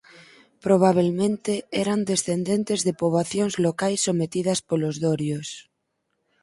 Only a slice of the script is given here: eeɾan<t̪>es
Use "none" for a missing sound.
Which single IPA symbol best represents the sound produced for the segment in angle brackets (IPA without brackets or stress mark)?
d̪